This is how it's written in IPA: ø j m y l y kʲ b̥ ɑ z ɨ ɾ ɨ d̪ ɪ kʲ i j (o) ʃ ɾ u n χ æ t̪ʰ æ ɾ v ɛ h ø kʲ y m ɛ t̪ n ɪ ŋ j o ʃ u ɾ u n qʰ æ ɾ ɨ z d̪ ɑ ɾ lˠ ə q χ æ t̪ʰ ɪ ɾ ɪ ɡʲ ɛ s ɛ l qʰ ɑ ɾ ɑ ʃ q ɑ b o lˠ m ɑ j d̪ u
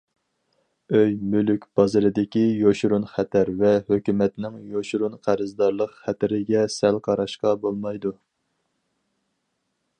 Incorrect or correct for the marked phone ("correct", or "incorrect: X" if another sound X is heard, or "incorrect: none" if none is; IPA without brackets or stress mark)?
correct